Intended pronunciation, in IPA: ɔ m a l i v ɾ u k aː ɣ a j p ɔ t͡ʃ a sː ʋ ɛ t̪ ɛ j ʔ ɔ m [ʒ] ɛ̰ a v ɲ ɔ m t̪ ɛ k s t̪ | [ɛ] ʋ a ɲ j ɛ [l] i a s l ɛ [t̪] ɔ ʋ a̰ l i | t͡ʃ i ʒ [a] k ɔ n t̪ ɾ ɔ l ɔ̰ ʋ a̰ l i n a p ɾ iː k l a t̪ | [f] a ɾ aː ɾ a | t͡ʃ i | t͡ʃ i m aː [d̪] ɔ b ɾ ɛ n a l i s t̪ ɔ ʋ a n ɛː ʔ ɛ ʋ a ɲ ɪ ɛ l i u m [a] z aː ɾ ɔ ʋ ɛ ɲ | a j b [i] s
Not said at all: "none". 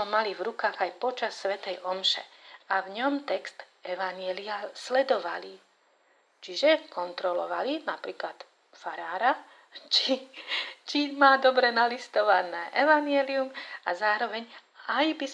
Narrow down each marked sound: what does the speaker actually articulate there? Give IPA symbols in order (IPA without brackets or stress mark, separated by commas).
ʃ, ɛ, l, d̪, ɛ, f, d̪, a, i